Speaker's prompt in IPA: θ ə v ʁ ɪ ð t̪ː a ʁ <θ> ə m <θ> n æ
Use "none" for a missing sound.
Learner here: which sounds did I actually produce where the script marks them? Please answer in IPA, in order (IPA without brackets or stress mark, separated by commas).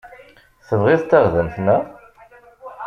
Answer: ð, θ